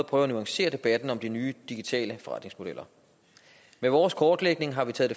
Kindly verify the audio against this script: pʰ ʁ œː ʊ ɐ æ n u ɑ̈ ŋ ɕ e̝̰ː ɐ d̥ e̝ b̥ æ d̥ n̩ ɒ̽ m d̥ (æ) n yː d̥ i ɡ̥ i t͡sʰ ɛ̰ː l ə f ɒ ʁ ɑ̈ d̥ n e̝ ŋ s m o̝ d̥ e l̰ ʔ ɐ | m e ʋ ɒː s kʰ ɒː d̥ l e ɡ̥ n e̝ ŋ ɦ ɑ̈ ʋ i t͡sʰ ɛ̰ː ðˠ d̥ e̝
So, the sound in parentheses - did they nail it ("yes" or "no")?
no